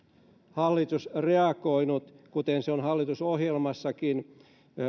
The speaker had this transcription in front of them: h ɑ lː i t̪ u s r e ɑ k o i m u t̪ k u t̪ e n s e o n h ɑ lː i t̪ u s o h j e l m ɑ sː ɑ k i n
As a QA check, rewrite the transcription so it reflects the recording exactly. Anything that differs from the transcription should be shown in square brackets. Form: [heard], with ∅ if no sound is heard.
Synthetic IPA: h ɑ lː i t̪ u s r e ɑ k o i [n] u t̪ k u t̪ e n s e o n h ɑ lː i t̪ u s o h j e l m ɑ sː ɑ k i n